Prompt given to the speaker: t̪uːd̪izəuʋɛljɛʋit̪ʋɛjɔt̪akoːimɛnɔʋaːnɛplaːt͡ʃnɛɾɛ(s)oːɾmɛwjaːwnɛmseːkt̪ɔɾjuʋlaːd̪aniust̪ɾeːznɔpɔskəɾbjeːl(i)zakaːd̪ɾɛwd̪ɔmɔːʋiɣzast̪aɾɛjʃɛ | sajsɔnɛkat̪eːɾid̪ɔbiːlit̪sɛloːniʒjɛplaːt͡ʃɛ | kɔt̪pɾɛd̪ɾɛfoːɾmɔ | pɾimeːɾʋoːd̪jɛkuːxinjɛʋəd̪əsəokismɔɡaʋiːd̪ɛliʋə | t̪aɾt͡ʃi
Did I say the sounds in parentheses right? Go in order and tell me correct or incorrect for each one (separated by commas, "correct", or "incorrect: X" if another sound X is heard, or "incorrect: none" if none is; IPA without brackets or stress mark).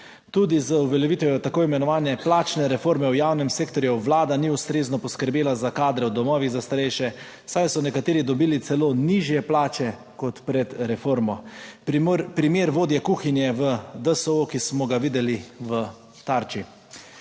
incorrect: f, incorrect: a